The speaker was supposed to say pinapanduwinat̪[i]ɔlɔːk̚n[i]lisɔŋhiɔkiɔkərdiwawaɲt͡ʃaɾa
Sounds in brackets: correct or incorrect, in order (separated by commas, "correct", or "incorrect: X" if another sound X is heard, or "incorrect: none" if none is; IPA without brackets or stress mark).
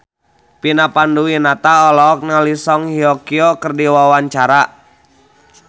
incorrect: a, incorrect: a